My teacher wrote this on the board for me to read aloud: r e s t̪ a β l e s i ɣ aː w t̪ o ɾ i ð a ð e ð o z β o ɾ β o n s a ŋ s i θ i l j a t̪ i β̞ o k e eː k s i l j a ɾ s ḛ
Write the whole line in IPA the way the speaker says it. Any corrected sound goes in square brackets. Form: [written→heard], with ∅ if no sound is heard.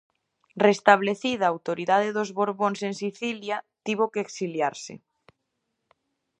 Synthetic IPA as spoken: r e s t̪ a β l e [s→θ] i [ɣ→ð] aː w t̪ o ɾ i ð a ð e ð o z β o ɾ β o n s [a→e] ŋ s i θ i l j a t̪ i β̞ o k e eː k s i l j a ɾ s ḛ